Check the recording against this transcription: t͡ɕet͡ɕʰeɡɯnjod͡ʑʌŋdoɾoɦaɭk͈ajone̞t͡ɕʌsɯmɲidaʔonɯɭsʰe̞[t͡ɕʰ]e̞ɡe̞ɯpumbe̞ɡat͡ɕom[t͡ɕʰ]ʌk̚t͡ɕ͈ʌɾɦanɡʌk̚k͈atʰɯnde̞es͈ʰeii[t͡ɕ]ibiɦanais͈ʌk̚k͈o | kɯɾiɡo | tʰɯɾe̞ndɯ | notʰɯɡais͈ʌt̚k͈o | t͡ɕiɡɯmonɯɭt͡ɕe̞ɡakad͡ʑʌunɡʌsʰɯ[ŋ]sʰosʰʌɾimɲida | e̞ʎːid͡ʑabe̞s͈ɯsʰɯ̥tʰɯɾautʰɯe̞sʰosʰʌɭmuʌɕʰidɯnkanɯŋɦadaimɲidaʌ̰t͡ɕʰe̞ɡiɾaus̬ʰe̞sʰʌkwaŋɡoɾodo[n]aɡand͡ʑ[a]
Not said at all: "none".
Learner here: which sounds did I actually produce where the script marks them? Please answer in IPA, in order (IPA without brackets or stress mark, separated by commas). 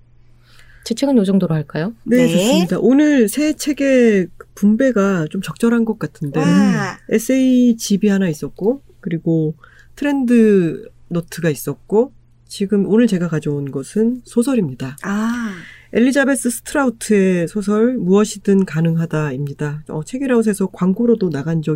t͡ɕʰ, t͡ɕ, t͡ɕ, n, n, ʌ